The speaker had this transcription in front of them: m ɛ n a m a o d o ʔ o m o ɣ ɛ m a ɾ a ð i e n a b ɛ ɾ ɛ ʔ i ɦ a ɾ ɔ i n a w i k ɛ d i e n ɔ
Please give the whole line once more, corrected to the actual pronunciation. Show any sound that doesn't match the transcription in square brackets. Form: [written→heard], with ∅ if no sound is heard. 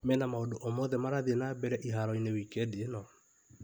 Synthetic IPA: m ɛ n a m a o d o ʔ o m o [ɣ→ð] ɛ m a ɾ a ð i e n a b ɛ ɾ ɛ ʔ i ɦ a ɾ ɔ i n [a→e] w i k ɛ d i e n ɔ